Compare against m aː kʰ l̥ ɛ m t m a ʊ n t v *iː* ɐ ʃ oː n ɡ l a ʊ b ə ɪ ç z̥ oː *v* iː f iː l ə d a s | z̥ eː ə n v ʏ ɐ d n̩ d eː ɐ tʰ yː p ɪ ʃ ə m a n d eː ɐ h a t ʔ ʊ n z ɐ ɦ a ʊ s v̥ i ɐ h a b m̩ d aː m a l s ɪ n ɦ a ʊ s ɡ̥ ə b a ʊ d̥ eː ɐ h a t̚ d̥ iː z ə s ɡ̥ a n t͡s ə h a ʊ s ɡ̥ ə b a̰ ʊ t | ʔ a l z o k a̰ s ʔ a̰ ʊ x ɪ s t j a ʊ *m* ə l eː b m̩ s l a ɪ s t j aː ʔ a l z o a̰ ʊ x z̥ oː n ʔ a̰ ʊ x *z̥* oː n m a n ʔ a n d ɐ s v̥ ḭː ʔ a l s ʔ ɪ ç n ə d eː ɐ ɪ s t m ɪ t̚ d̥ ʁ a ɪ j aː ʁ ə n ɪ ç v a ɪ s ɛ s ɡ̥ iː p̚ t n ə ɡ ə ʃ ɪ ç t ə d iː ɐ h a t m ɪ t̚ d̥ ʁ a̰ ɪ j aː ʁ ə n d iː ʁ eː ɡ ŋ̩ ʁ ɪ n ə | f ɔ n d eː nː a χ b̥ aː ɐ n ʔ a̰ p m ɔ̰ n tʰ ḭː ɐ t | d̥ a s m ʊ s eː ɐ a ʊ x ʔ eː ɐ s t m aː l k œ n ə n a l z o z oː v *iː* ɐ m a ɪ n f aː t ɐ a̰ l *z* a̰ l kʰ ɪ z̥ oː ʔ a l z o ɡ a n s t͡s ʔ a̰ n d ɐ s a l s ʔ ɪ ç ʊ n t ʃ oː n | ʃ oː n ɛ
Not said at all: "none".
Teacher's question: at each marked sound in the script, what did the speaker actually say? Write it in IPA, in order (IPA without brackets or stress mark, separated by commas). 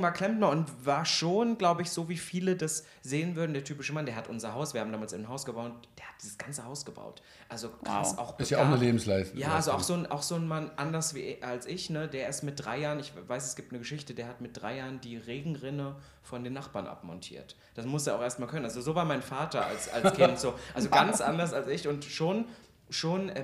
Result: aː, v, n, z̥, aː, s